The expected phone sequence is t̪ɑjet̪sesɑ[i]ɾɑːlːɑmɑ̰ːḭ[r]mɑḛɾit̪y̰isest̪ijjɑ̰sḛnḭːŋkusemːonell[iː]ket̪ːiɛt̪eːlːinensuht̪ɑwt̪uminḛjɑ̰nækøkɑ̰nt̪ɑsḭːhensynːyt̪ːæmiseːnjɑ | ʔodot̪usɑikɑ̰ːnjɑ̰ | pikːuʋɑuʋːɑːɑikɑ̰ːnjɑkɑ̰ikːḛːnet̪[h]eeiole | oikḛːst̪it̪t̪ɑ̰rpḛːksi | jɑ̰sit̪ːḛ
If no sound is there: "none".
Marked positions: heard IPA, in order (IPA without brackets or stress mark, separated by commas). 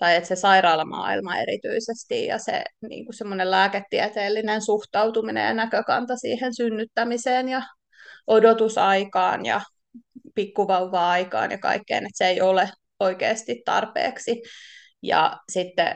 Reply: i, l, æː, s